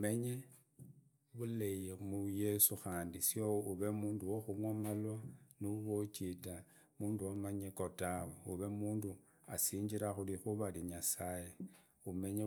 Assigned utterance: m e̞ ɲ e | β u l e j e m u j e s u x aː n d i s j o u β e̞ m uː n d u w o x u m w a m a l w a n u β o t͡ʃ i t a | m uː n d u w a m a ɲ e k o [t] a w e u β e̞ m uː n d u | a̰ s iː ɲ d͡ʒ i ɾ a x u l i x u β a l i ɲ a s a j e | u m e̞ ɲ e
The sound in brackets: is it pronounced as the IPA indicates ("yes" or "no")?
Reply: yes